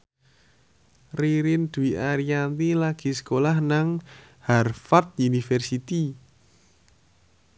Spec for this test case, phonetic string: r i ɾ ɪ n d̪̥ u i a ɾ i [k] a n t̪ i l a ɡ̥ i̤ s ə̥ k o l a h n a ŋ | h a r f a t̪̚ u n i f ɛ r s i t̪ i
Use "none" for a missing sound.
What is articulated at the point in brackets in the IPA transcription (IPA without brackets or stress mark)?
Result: none